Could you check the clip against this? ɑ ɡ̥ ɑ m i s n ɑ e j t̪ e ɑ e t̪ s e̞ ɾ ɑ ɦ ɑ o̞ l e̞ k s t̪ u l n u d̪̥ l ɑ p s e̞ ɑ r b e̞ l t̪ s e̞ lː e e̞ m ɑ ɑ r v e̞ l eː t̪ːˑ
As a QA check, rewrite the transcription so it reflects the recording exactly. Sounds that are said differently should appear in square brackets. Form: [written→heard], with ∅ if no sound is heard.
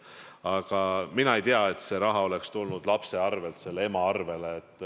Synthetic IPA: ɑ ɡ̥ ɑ m i [s→∅] n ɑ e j t̪ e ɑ e t̪ s e̞ ɾ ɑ ɦ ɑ o̞ l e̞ k s t̪ u l n u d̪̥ l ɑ p s e̞ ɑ r [b→v] e̞ l t̪ s e̞ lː e e̞ m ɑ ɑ r v e̞ l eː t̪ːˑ

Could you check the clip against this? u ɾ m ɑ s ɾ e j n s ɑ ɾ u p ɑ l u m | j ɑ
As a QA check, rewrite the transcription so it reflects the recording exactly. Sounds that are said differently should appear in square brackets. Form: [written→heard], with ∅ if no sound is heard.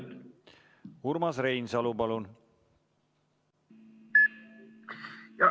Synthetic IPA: u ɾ m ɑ s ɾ e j n s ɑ [ɾ→l] u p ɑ l u [m→n] | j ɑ

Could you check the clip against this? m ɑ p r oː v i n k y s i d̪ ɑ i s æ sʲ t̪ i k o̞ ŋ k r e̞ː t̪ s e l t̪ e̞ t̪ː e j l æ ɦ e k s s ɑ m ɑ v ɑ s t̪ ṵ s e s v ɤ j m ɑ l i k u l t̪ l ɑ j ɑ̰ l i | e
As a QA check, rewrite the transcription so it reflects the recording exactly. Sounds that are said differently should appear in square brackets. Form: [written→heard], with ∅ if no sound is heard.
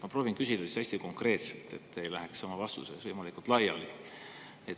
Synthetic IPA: m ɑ p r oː v i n k y s i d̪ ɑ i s æ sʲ t̪ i k o̞ ŋ k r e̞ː t̪ s e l t̪ e̞ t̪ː e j l æ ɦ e k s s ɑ m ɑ v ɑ s t̪ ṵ s e s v ɤ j m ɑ l i k u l t̪ l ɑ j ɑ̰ l i | e

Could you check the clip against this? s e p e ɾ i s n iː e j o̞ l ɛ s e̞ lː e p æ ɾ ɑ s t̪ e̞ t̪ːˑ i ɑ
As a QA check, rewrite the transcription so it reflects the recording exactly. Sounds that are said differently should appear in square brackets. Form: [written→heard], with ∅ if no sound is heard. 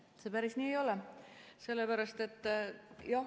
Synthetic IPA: s e p [e→æ] ɾ i s n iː e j o̞ l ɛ s e̞ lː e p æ ɾ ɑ s t̪ e̞ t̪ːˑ [i→j] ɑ

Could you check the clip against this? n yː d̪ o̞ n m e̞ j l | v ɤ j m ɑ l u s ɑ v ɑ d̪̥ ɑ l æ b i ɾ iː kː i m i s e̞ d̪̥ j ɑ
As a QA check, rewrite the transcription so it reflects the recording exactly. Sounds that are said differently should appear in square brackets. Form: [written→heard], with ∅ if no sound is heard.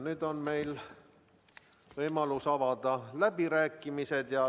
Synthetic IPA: n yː d̪ o̞ n m e̞ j l | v ɤ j m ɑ l u s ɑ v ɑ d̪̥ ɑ l æ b i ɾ [iː→æː] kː i m i s e̞ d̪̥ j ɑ

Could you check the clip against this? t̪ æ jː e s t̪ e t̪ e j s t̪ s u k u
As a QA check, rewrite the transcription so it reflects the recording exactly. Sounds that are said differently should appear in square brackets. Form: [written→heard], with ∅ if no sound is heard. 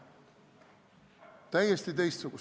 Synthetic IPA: t̪ æ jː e s t̪ [e→i] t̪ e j s t̪ s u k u

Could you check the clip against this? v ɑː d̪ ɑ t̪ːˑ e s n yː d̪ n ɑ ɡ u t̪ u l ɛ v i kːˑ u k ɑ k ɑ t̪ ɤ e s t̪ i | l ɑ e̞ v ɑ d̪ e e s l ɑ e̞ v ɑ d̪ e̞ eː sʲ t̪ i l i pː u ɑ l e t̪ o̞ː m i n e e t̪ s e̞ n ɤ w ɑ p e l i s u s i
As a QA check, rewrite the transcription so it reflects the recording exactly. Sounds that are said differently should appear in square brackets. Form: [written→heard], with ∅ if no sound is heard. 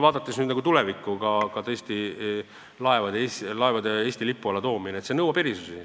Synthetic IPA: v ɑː d̪ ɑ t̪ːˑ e s n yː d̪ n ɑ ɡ u t̪ u l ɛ v i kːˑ u k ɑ k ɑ t̪ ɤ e s t̪ i | l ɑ e̞ v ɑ d̪ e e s l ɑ e̞ v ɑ d̪ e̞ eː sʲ t̪ i l i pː u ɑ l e t̪ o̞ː m i n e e t̪ s e̞ n ɤ w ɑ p e [l→ɾ] i s u s i

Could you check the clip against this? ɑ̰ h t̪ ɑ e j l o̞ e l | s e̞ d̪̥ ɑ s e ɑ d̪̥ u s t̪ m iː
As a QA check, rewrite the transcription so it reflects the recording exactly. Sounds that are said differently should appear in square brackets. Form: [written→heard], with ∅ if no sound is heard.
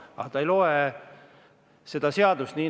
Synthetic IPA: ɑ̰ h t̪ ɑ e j l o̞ e [l→∅] | s e̞ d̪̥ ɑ s e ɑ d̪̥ u s t̪ [m→n] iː

